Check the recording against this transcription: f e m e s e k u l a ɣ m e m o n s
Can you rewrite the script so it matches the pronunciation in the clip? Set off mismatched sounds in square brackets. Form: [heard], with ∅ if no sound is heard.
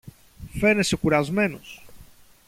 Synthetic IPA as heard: f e [n] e s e k u [ɾ] a [z] m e [n] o [∅] s